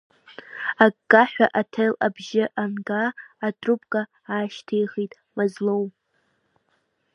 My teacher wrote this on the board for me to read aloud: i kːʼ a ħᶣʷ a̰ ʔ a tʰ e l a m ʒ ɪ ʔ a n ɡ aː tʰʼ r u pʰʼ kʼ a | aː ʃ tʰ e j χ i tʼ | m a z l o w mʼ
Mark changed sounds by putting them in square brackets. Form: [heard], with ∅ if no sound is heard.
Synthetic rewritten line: [a] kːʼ a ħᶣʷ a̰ ʔ a tʰ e l a [b] ʒ ɪ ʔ a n ɡ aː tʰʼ r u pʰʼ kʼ a | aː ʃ tʰ e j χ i tʼ | m a z l o w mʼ